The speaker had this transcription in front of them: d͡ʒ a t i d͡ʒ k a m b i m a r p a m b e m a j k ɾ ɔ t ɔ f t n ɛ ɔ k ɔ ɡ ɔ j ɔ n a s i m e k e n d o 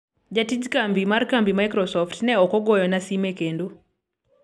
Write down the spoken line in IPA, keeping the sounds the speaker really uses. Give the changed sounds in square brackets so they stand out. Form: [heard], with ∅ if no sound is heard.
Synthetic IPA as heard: d͡ʒ a t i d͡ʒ k a m b i m a r [k] a m b [i] m a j k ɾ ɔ [s] ɔ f t n ɛ ɔ k ɔ ɡ ɔ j ɔ n a s i m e k e n d o